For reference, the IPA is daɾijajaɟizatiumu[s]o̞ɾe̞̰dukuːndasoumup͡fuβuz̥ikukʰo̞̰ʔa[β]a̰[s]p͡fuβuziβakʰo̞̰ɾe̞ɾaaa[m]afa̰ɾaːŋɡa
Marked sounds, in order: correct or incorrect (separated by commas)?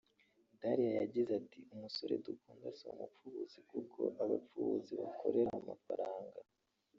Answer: correct, correct, incorrect, correct